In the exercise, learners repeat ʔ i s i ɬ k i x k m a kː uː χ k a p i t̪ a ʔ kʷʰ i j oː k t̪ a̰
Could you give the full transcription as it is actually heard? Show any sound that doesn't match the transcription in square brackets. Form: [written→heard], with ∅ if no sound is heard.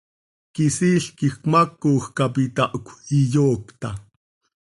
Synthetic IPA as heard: [ʔ→k] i s i ɬ k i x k m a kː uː [χ→x] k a p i t̪ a ʔ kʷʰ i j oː k t̪ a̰